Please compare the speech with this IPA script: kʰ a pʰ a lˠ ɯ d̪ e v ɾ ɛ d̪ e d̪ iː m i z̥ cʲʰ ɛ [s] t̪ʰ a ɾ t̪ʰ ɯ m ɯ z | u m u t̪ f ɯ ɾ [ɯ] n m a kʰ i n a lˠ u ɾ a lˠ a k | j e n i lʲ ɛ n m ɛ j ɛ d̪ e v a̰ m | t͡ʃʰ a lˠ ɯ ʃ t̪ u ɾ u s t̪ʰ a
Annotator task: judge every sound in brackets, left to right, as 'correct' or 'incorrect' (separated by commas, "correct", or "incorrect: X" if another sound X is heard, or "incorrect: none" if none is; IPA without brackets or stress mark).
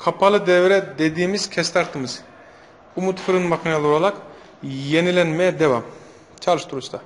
correct, correct